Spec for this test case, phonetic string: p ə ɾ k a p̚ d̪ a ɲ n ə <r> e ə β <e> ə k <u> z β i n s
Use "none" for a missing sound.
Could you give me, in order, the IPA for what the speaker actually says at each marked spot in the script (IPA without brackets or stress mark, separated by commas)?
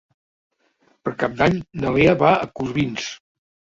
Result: l, a, u